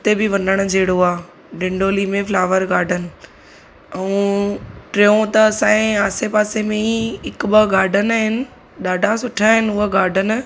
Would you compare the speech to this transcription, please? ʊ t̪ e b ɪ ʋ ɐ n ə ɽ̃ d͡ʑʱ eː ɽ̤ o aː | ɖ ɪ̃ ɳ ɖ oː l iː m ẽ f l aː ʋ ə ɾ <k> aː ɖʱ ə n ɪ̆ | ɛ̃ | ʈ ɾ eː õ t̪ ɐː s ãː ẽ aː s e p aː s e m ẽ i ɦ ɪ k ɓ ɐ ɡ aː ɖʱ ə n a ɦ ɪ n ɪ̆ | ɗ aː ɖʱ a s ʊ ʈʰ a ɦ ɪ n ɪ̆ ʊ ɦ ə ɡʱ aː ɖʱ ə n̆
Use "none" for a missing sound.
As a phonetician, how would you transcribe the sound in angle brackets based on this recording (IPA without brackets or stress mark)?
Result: ɡ